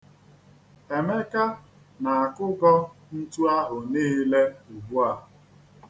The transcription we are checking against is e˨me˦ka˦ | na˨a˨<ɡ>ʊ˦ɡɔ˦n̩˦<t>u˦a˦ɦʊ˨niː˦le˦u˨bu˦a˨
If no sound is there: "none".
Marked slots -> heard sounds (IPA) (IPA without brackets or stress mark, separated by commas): k, t